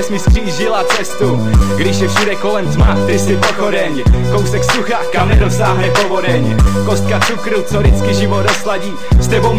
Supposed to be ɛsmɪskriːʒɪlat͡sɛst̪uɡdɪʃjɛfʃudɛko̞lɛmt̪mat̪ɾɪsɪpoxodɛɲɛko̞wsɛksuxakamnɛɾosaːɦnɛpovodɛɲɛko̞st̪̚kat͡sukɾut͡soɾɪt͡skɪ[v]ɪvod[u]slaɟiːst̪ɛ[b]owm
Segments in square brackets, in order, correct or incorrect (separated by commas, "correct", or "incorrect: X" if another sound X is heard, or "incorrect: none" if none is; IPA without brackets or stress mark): incorrect: ʒ, incorrect: o, correct